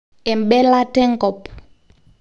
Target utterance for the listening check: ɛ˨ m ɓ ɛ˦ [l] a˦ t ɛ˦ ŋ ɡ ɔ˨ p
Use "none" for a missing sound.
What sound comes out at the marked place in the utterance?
l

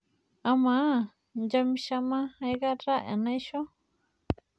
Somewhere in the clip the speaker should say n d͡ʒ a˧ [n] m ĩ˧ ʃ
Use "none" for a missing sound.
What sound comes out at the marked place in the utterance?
none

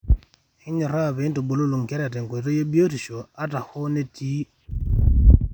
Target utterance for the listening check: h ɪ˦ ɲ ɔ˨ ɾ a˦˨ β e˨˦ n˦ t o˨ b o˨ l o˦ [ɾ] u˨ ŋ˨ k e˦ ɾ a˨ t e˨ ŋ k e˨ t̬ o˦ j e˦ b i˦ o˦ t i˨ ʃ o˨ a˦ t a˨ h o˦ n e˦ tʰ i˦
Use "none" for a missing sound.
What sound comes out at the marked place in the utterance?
l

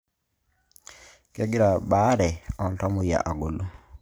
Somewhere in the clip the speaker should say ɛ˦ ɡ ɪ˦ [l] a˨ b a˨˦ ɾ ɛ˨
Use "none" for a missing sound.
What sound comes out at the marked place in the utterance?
ɾ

